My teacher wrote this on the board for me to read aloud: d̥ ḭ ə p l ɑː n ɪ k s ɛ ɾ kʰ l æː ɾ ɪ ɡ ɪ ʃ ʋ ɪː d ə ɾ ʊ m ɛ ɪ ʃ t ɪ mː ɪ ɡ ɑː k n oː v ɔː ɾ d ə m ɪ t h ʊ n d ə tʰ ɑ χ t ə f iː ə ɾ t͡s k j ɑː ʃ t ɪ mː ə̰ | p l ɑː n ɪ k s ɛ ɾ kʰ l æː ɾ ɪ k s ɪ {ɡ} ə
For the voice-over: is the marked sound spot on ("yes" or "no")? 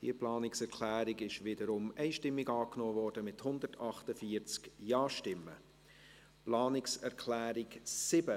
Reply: no